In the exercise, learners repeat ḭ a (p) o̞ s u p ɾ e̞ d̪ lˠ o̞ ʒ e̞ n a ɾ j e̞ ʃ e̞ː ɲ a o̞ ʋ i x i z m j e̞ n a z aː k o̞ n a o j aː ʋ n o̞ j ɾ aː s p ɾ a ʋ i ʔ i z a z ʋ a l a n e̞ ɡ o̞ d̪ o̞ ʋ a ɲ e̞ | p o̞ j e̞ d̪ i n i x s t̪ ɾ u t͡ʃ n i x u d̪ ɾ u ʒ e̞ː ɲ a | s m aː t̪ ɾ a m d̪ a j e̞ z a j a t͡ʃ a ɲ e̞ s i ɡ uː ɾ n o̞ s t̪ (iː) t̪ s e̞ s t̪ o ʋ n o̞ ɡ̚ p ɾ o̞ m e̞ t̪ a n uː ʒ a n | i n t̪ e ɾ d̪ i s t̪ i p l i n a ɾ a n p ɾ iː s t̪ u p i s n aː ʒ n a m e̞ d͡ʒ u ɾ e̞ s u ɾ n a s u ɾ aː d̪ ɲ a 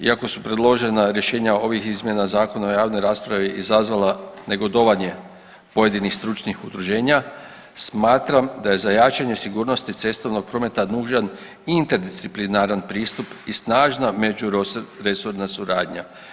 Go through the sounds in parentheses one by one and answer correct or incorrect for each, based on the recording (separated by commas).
incorrect, incorrect